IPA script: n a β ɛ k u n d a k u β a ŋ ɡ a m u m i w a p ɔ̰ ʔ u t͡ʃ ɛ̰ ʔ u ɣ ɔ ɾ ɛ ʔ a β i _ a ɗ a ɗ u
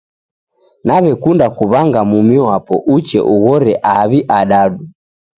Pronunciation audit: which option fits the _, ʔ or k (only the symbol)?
ʔ